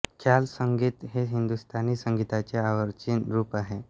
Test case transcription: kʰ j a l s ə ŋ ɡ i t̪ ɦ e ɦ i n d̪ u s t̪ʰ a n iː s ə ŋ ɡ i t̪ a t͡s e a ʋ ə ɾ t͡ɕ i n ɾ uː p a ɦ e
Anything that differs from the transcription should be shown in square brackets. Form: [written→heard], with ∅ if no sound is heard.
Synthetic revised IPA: kʰ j a l s ə ŋ ɡ i t̪ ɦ e ɦ i n d̪ u s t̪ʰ a n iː s ə ŋ ɡ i t̪ a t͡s e a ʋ ə ɾ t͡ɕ i n ɾ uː p a ɦ e